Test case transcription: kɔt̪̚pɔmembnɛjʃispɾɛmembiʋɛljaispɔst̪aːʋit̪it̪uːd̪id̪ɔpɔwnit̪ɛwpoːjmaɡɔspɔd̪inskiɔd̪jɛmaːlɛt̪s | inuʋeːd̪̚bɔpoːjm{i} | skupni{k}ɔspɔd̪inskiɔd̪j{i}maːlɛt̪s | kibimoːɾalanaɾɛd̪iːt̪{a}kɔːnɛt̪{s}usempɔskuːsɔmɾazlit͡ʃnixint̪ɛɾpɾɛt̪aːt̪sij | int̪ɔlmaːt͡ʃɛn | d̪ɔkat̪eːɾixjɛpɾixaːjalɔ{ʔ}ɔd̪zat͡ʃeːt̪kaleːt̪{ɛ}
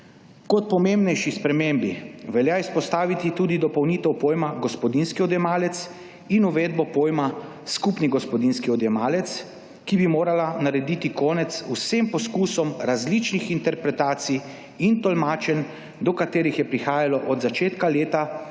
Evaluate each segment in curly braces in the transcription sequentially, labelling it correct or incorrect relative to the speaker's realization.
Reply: incorrect: a, incorrect: ɡ, incorrect: ɛ, incorrect: i, correct, correct, incorrect: a

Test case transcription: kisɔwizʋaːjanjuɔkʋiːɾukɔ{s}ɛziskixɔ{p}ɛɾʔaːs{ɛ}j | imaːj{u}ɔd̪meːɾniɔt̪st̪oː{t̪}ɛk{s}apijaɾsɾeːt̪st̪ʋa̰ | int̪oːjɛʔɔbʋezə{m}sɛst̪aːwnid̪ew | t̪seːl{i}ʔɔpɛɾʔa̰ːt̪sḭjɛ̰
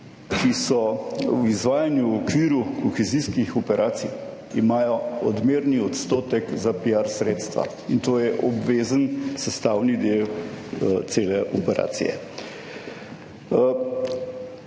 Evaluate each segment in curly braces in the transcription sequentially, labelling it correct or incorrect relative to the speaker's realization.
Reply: incorrect: x, correct, incorrect: i, incorrect: ɔ, correct, incorrect: z, incorrect: n, incorrect: ɛ

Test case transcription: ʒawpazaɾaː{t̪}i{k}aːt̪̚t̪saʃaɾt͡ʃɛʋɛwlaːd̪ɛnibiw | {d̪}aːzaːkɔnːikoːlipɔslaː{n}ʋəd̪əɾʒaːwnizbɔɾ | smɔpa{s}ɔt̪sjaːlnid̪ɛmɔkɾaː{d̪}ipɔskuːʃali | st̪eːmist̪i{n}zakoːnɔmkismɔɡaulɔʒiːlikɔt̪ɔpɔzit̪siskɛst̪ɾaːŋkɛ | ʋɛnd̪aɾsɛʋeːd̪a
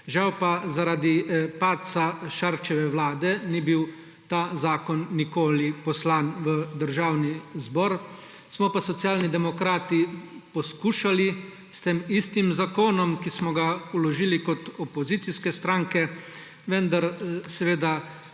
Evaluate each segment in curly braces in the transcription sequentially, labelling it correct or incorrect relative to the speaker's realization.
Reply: incorrect: d̪, incorrect: p, incorrect: t̪, correct, correct, incorrect: t̪, incorrect: m

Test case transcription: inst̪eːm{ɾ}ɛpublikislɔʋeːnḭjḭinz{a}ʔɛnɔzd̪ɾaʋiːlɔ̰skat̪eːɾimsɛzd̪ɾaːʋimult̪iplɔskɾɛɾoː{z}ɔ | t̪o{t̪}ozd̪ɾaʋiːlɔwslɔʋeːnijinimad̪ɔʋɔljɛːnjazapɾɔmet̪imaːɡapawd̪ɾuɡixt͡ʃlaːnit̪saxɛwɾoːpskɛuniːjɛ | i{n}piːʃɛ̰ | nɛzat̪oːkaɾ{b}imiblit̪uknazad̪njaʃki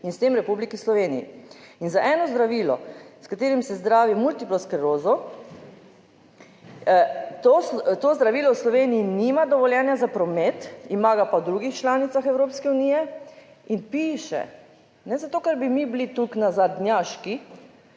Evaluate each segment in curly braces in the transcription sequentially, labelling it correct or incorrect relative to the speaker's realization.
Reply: correct, correct, correct, correct, correct, correct

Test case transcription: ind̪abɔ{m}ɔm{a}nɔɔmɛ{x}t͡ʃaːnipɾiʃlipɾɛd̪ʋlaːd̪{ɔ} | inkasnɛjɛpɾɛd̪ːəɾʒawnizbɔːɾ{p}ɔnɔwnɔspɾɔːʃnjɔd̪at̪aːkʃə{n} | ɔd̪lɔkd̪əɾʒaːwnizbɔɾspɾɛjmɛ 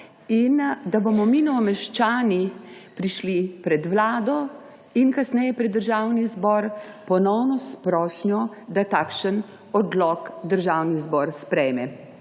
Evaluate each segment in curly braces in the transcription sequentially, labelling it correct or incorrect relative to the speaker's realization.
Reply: correct, incorrect: i, incorrect: ʃ, correct, correct, correct

